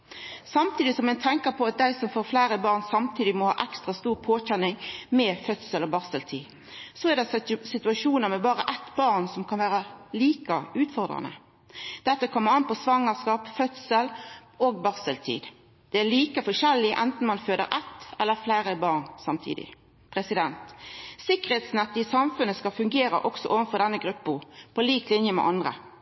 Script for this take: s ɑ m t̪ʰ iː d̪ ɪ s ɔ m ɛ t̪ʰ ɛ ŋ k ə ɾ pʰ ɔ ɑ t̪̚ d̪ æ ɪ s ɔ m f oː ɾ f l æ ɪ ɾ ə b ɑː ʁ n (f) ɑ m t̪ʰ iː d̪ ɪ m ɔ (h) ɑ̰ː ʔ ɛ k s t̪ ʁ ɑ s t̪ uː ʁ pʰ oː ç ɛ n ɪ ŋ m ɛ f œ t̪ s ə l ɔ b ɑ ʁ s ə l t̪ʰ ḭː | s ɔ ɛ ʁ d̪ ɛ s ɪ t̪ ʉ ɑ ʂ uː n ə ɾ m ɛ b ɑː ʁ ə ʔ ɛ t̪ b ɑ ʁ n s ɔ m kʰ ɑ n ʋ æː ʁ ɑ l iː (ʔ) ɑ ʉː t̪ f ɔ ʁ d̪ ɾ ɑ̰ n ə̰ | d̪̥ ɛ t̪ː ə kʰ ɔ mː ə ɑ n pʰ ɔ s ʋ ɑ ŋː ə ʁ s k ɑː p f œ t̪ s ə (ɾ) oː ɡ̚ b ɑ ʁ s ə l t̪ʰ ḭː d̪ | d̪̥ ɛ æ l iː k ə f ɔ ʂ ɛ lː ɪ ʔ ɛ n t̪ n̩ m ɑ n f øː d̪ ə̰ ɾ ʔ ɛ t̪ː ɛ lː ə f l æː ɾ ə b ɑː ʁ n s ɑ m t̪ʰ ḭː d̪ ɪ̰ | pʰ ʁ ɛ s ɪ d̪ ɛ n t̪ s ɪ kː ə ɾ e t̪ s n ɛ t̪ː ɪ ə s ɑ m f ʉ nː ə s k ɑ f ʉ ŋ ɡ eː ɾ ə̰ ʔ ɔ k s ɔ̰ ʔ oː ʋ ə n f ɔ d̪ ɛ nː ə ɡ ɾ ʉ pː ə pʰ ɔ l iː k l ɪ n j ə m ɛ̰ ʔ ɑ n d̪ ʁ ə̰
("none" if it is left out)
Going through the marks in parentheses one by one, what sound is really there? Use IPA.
s, h, k, l

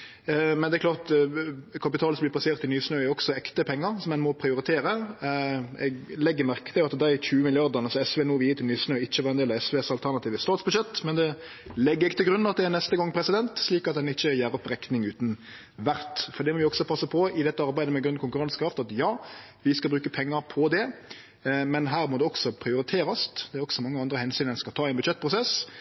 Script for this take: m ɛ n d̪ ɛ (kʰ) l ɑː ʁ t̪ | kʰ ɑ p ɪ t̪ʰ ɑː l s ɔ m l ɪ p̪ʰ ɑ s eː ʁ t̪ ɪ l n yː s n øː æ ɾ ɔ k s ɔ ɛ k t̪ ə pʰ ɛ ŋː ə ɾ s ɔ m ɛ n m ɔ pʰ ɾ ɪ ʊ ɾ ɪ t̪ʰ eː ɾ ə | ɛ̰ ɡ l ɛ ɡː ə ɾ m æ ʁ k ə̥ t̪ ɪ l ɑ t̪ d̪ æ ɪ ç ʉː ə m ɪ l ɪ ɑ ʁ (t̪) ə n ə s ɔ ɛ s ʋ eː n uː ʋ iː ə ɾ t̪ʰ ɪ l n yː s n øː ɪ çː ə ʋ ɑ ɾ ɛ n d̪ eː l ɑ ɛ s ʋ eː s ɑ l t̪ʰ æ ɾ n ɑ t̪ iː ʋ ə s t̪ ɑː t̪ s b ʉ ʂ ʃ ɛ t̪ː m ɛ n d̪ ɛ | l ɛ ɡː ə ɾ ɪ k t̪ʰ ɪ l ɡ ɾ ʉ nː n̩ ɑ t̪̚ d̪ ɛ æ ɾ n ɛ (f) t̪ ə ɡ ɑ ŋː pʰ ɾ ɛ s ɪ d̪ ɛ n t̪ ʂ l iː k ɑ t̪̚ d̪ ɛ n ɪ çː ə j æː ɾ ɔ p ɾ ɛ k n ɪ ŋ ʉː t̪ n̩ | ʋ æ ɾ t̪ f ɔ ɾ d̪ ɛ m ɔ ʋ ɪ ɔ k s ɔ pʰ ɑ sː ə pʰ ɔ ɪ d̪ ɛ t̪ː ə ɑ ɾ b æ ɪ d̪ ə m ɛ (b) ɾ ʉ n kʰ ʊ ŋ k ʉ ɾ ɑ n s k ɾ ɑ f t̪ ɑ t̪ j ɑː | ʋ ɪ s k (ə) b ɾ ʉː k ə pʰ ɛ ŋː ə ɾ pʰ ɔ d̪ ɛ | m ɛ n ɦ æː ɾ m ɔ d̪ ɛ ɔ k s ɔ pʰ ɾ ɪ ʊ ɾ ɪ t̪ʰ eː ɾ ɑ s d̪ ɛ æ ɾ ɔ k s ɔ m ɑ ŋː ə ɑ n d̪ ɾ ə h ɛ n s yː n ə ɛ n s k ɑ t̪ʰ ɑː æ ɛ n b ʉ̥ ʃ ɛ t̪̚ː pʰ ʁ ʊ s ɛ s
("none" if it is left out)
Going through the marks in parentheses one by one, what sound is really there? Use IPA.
k, d̪, s, ɡ, ɑ

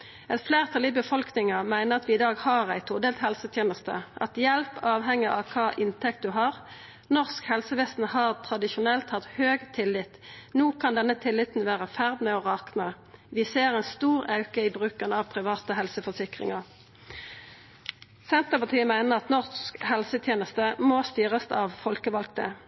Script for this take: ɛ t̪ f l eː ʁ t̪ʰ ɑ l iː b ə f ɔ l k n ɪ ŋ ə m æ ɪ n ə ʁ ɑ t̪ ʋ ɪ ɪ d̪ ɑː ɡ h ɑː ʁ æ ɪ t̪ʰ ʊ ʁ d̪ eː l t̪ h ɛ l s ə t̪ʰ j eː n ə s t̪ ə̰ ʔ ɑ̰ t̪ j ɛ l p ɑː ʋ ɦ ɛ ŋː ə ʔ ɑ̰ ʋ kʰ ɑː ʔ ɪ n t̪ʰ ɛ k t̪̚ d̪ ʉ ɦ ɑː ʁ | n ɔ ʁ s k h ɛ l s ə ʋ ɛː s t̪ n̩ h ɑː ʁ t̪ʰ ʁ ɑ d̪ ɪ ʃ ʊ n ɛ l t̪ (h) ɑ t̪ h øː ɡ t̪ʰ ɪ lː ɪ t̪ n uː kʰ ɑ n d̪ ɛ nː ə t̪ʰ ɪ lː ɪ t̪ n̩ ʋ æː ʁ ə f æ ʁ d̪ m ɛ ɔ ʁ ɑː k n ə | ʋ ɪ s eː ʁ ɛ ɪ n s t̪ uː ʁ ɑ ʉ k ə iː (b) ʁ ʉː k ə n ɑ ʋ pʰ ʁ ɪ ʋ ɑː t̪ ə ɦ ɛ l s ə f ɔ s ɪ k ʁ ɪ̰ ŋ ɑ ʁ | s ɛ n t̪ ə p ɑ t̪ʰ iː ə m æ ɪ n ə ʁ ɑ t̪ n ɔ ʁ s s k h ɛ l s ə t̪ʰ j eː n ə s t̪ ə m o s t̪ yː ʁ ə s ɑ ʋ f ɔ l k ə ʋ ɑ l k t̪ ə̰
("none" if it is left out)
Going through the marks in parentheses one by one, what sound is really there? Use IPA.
h, b

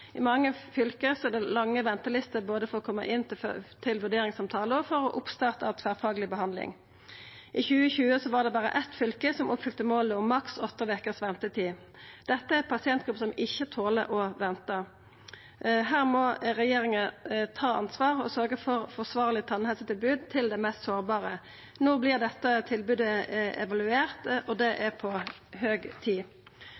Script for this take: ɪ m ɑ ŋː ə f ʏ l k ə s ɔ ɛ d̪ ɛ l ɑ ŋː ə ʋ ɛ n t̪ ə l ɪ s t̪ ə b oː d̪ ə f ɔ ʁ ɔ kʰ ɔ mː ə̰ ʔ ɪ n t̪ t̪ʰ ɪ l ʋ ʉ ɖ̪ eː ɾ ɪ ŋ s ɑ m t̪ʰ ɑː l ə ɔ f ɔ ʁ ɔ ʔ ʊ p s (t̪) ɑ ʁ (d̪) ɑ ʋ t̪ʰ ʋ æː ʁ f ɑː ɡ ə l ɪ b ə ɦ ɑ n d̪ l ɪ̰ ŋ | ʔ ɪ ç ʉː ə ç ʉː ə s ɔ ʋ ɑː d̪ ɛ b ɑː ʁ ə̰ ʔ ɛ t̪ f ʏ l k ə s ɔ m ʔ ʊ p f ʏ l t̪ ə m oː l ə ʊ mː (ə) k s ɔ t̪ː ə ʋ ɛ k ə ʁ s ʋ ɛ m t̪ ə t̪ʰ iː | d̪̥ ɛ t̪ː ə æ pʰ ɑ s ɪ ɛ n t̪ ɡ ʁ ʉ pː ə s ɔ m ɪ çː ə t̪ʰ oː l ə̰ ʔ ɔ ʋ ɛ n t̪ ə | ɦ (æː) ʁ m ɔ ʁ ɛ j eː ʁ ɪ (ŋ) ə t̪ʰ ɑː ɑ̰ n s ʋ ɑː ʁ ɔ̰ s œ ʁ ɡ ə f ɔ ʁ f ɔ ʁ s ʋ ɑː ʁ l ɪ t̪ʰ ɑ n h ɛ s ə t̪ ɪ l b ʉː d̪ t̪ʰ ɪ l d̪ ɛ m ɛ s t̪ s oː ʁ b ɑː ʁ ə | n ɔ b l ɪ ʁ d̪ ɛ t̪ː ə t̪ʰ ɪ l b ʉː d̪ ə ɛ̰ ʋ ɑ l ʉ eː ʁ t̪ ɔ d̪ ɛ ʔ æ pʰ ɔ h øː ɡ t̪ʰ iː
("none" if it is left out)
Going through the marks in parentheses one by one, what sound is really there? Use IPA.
t̪, t̪, ɑ, æː, ŋ

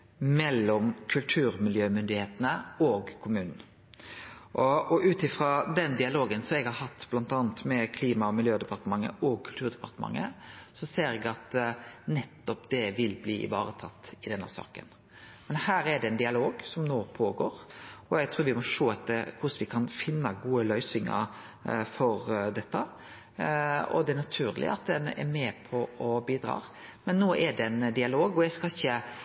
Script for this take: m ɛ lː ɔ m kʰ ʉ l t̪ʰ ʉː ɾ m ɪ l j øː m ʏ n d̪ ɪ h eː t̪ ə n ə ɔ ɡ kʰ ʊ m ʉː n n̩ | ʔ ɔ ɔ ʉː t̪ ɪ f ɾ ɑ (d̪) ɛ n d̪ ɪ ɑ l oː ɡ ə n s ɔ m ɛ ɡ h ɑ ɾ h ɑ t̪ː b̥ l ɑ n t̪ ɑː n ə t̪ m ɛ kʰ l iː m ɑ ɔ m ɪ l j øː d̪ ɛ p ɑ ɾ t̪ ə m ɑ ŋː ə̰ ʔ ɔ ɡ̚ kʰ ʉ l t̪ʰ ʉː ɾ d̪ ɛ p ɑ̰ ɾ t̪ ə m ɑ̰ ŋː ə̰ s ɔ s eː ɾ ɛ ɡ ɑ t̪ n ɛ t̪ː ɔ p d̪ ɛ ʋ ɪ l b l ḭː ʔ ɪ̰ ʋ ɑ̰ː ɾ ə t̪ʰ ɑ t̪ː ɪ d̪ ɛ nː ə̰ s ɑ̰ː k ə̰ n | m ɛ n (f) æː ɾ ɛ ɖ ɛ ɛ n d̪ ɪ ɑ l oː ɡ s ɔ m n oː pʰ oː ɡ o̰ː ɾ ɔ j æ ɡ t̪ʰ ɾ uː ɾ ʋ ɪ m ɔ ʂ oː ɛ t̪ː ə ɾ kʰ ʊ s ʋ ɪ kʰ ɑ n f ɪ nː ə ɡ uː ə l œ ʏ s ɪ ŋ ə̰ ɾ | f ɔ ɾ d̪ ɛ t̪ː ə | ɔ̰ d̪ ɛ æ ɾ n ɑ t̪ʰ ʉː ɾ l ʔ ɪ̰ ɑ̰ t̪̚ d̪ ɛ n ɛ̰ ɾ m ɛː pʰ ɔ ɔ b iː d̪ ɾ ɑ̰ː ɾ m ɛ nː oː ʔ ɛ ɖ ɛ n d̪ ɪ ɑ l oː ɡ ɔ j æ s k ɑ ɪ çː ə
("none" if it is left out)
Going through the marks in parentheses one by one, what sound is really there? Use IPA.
d̪, h

